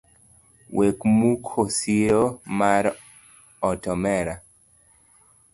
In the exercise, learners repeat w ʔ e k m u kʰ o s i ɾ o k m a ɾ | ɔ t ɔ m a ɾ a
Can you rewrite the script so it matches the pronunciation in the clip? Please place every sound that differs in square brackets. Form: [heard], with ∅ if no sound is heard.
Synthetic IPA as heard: w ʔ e k m u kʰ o s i ɾ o [∅] m a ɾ | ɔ t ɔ m [ɛ] ɾ a